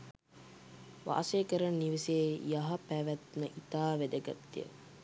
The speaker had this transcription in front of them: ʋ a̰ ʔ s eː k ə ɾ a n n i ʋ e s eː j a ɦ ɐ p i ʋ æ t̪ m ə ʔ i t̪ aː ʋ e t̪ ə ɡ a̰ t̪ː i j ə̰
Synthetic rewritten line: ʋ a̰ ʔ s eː k ə ɾ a n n i ʋ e s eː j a ɦ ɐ p æ ʋ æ t̪ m ə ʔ i t̪ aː ʋ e d̪ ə ɡ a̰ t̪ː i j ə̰

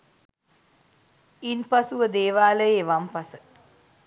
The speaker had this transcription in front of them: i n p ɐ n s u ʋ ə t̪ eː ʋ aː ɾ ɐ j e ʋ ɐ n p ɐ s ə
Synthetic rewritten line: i n p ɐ s u ʋ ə d̪ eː ʋ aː l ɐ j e ʋ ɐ m p ɐ s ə

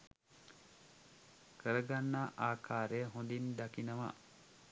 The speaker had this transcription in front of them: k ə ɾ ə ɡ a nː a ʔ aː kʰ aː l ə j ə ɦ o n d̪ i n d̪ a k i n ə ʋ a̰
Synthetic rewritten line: k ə ɾ ə ɡ a nː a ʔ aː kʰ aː ɾ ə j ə ɦ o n d̪ i n d̪ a k i n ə ʋ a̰

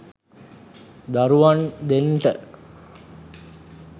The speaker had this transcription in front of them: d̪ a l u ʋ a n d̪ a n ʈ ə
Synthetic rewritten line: d̪ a ɾ u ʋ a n d̪ e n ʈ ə

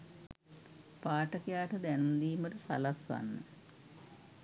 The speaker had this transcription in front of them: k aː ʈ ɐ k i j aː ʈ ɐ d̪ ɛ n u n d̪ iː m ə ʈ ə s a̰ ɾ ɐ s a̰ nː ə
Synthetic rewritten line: p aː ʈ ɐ k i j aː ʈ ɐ d̪ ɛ n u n d̪ iː m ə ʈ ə s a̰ l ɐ s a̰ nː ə

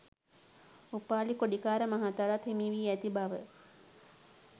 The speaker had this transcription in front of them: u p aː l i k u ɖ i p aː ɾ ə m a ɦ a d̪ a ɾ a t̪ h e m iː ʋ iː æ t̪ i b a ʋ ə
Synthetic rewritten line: u p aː l i k o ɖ i k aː ɾ ə m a ɦ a t̪ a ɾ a t̪ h e m iː ʋ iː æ t̪ i b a ʋ ə

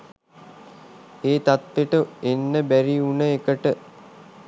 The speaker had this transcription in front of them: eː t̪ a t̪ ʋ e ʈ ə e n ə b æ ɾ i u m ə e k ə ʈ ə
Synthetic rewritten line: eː t̪ a t̪ ʋ e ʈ ə e nː ə b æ ɾ i u n ə e k ə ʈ ə

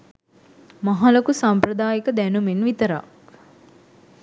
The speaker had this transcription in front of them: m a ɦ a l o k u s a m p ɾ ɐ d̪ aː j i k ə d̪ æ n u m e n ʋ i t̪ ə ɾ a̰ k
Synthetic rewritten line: m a ɦ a l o k u s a m p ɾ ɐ d̪ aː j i k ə d̪ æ n u m e n ʋ i t̪ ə ɾ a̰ k

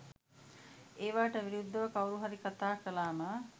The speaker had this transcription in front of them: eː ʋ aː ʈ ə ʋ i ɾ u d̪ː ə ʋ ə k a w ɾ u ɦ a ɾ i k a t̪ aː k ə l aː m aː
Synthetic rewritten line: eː ʋ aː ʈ ə ʋ i ɾ u d̪ː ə ʋ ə k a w ɾ u ɦ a ɾ i k a t̪ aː k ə l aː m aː

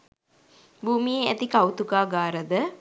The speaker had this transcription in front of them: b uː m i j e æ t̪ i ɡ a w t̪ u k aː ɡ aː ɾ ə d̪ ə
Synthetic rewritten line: b uː m i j e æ t̪ i k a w t̪ u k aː ɡ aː ɾ ə d̪ ə

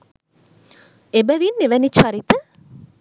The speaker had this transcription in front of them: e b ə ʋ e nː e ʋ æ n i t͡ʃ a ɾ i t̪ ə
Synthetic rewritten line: e b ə ʋ i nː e ʋ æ n i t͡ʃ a ɾ i t̪ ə

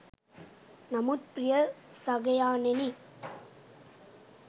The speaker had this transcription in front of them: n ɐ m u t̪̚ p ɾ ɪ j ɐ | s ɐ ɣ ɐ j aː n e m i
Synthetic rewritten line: n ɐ m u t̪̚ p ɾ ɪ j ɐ | s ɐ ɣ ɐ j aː n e n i

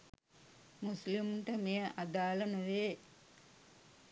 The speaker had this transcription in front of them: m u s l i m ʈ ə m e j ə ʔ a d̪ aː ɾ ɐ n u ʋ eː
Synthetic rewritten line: m u s l i m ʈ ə m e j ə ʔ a d̪ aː l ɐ n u ʋ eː

